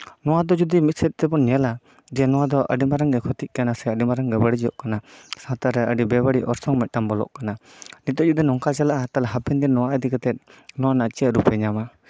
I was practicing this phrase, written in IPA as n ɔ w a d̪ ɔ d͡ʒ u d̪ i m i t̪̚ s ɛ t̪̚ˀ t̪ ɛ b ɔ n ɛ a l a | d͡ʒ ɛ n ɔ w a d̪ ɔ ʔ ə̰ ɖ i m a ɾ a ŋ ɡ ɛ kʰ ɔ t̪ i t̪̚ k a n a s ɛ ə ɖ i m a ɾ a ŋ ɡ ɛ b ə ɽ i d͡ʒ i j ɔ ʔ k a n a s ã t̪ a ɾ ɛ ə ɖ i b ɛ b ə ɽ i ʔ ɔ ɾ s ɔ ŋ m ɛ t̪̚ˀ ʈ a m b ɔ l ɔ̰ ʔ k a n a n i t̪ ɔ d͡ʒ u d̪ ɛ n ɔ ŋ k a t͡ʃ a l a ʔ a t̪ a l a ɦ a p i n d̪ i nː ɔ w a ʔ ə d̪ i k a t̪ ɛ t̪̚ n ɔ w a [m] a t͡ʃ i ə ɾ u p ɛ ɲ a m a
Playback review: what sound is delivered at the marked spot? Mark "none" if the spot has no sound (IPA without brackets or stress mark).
n